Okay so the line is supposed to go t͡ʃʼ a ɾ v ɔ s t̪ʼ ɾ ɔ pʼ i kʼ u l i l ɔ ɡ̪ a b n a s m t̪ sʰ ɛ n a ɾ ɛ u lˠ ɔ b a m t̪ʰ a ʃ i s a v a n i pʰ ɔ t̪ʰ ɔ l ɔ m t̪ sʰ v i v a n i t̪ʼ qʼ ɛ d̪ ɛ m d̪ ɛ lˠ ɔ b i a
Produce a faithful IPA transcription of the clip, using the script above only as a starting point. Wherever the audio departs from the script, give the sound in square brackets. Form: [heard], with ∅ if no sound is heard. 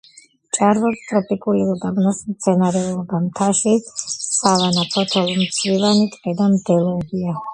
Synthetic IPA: t͡ʃʼ a ɾ v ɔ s t̪ʼ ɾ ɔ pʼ i kʼ u l i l ɔ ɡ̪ a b n a s m t̪ sʰ ɛ n a ɾ ɛ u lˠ ɔ b a m t̪ʰ a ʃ i s a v a n [a] pʰ ɔ t̪ʰ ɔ l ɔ m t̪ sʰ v i v a n i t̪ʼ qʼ ɛ d̪ [a] m d̪ ɛ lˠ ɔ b i a